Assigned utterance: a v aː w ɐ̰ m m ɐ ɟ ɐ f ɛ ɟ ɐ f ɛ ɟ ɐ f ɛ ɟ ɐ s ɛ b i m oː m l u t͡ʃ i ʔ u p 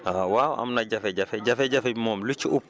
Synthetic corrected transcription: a w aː w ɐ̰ m n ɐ ɟ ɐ f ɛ ɟ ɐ f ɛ ɟ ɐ f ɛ ɟ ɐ f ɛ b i m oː m l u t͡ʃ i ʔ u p